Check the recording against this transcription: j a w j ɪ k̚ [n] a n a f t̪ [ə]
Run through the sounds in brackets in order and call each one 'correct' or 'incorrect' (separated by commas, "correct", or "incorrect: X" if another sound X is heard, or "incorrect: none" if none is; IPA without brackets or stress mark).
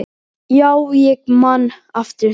incorrect: m, correct